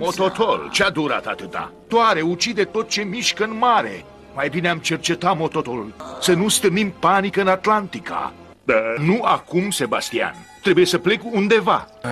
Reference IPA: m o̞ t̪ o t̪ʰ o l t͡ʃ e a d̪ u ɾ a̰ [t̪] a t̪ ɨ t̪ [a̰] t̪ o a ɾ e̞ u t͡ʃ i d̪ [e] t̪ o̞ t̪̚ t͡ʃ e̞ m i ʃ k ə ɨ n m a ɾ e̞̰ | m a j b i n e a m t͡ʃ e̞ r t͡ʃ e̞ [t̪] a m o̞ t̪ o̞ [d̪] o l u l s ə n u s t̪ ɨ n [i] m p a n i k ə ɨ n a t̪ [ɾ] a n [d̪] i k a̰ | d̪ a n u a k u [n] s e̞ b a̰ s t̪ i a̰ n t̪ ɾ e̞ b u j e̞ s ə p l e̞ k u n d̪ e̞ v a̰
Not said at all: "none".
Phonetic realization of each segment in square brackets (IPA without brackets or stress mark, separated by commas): t̪, a̰, e, t̪, t̪, i, l, t̪, m